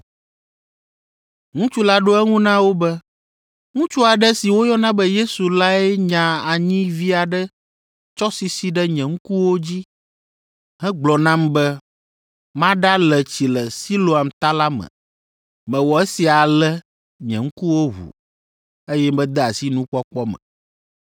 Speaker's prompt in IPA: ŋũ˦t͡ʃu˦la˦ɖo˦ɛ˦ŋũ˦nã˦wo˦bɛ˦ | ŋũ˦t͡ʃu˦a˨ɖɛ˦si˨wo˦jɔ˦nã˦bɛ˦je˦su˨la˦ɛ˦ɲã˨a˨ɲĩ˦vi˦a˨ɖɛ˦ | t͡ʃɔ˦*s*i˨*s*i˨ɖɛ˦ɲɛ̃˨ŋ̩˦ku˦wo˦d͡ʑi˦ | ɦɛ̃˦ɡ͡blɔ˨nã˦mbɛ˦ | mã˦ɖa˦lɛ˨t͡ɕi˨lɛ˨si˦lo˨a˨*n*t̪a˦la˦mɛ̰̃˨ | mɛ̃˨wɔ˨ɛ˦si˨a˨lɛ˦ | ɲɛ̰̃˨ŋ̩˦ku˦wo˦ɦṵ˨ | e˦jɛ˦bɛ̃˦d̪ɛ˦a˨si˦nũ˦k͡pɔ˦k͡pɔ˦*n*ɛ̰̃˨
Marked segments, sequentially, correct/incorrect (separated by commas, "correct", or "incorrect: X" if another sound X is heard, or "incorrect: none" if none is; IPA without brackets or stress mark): correct, correct, incorrect: m, incorrect: m